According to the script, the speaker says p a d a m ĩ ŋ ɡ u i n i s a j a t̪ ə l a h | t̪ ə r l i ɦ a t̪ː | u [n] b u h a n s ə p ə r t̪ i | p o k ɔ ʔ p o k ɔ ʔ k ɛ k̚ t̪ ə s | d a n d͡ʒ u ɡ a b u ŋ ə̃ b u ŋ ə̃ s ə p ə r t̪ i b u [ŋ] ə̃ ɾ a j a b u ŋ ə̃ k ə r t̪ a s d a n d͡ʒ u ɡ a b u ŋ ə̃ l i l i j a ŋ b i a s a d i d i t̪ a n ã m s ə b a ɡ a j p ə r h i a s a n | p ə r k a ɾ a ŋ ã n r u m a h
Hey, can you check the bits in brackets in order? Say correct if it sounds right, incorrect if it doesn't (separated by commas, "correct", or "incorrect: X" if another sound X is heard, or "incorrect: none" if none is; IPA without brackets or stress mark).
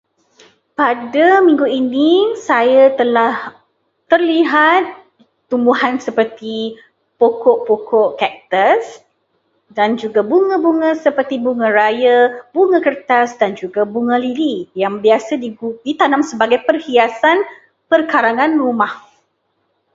incorrect: m, correct